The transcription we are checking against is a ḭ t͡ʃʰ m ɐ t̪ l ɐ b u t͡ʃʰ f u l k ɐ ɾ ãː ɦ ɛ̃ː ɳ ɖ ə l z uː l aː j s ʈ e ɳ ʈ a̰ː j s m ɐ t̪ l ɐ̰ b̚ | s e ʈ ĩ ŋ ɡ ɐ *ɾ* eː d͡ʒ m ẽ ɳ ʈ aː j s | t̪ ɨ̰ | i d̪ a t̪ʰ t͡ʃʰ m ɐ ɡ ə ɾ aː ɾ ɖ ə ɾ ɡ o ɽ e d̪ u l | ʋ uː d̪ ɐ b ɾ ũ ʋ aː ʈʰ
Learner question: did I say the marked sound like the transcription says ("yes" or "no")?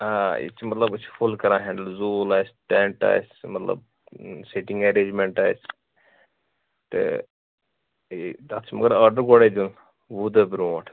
yes